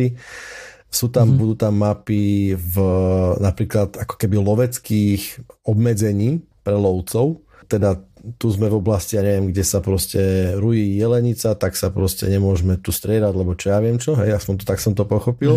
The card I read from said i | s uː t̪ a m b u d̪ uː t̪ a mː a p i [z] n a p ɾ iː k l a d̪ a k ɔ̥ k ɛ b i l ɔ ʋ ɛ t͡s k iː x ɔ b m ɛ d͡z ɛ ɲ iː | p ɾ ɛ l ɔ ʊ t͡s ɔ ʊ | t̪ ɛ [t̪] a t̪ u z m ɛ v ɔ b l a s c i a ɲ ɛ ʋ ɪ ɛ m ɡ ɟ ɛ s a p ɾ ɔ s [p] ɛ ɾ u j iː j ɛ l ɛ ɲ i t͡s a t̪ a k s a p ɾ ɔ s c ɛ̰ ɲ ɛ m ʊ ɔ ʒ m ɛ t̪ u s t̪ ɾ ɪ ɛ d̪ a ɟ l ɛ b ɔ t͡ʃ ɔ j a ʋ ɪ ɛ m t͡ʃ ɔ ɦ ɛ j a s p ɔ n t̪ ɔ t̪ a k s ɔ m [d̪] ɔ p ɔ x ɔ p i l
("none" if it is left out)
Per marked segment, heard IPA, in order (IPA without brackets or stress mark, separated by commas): v, d̪, c, t̪